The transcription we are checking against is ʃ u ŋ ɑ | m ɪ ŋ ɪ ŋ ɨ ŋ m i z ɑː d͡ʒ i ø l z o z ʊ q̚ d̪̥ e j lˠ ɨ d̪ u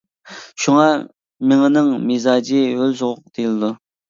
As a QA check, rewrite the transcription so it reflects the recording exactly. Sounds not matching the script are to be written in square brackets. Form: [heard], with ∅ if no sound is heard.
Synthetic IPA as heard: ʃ u ŋ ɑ | m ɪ ŋ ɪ [n] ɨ ŋ m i z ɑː d͡ʒ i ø l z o [ʁ] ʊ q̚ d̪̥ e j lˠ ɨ d̪ u